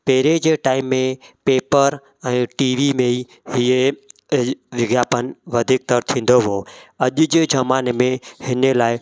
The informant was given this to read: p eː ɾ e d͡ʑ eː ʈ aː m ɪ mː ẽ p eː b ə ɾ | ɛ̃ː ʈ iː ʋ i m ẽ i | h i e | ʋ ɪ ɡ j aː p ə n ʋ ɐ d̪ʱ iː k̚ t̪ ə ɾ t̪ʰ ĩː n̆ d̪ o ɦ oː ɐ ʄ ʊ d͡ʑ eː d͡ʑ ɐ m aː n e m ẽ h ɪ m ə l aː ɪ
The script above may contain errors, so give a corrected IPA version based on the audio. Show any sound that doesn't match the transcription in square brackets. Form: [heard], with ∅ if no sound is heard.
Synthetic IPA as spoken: p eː ɾ e d͡ʑ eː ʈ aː [∅] ɪ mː ẽ p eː [p] ə ɾ | ɛ̃ː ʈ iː ʋ i m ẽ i | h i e | ʋ ɪ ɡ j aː p ə n ʋ ɐ d̪ʱ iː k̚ t̪ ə ɾ t̪ʰ ĩː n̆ d̪ o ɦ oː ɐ ʄ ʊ d͡ʑ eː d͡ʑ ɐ m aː n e m ẽ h ɪ [n] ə l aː ɪ